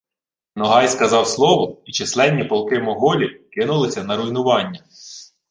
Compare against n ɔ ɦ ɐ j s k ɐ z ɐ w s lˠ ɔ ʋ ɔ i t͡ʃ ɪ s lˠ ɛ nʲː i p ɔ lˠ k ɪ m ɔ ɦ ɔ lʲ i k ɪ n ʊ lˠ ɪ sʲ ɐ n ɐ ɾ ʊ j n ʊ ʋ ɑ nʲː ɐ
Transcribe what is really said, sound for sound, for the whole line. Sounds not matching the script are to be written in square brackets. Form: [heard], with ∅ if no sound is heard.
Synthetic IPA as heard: n ɔ ɦ [ɑ] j s k ɐ z [ɑ] w s lˠ ɔ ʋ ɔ i t͡ʃ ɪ s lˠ ɛ nʲː i p ɔ lˠ k ɪ m ɔ ɦ ɔ lʲ i k ɪ n ʊ lˠ ɪ sʲ ɐ n ɐ ɾ ʊ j n ʊ ʋ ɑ nʲː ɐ